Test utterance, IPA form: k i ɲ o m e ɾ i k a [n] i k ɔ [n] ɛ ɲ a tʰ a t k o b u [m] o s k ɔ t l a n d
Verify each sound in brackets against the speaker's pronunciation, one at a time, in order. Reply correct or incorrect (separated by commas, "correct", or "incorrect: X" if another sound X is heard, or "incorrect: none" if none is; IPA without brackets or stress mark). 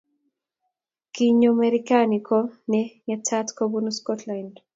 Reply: correct, correct, incorrect: n